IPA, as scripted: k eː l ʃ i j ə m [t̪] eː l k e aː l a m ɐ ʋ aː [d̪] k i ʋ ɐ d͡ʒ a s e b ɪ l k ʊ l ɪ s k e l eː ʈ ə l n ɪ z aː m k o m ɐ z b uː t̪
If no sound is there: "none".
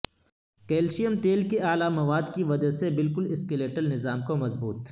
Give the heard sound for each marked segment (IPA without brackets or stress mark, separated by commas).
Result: t̪, d̪